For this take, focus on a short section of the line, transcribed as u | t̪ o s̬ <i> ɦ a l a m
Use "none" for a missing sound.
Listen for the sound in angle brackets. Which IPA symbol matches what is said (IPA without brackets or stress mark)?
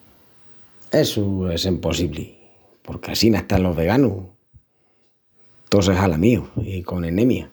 e